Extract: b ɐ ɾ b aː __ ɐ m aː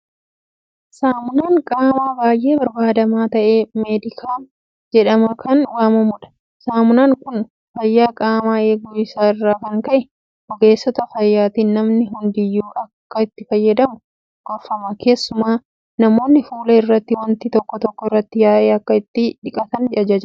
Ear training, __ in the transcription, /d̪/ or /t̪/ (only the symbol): d̪